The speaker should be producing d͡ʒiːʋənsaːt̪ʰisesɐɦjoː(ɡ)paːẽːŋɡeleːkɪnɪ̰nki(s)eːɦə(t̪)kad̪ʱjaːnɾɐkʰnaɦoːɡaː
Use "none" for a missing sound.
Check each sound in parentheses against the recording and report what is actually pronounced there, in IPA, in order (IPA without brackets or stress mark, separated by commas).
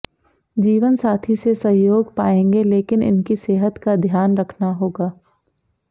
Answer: ɡ, s, t̪